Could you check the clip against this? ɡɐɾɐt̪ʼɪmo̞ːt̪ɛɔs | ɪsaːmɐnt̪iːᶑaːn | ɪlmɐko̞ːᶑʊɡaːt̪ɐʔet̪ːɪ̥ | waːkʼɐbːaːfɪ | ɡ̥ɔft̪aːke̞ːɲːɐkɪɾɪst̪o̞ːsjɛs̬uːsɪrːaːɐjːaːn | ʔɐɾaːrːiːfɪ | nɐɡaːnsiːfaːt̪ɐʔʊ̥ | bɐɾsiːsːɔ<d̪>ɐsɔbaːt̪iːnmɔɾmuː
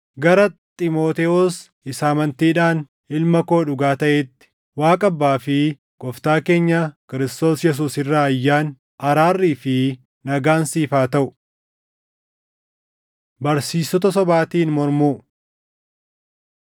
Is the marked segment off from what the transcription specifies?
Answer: yes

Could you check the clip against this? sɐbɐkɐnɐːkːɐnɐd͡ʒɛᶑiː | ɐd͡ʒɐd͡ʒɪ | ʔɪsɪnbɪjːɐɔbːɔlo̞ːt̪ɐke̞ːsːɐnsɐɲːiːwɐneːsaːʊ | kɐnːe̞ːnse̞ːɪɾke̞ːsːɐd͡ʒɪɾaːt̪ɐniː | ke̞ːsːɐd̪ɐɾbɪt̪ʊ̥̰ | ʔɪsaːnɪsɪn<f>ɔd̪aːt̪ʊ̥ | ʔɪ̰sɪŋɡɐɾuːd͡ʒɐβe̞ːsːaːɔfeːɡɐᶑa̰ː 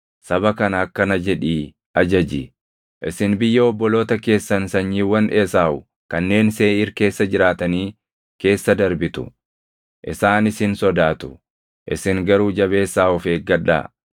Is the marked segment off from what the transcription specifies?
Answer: yes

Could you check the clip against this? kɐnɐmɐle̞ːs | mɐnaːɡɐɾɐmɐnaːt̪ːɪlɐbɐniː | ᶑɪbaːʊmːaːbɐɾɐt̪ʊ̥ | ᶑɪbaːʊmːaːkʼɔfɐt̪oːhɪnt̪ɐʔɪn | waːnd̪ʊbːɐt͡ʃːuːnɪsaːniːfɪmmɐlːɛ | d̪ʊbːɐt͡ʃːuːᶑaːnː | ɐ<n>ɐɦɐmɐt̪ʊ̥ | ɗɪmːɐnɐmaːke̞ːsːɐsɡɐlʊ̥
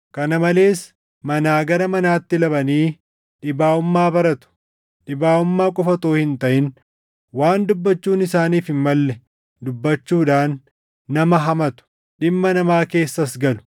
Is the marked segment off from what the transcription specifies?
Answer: yes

